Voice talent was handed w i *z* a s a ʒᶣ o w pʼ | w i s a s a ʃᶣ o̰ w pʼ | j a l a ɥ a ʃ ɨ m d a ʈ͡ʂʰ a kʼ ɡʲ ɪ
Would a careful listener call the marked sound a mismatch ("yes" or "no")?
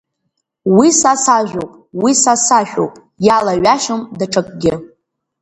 yes